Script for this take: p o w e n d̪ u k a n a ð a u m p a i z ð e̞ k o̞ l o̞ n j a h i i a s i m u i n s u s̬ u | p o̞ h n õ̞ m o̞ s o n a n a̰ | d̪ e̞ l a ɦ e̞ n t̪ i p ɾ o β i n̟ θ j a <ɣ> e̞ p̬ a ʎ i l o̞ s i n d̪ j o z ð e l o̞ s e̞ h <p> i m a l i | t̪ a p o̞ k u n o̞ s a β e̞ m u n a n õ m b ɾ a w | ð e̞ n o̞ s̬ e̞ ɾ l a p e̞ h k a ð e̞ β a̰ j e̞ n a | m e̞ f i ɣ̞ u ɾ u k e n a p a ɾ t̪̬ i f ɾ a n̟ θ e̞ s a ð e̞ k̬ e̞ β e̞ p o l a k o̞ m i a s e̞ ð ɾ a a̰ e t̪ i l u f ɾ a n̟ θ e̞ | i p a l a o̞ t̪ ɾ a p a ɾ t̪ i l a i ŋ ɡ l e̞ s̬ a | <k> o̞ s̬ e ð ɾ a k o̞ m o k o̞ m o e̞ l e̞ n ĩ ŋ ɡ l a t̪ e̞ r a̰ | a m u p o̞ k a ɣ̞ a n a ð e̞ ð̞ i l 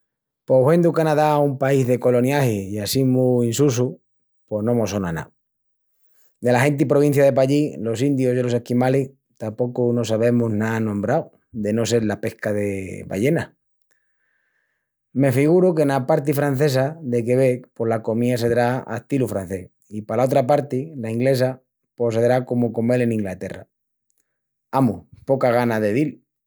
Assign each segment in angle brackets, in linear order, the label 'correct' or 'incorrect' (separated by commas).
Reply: incorrect, incorrect, incorrect